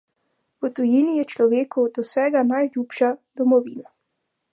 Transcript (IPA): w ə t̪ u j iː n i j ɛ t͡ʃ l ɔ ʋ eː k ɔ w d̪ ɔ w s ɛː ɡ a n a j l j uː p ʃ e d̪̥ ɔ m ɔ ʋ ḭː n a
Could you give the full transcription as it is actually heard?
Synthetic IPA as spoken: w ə t̪ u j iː n i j ɛ t͡ʃ l ɔ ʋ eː k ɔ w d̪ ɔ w s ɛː ɡ a n a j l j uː p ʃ a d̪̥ ɔ m ɔ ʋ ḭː n a